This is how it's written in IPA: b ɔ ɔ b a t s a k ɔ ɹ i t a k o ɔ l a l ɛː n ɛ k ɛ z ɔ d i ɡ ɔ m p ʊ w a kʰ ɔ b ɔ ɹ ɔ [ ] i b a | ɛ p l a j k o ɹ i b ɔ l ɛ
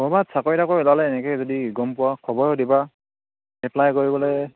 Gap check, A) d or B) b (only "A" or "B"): A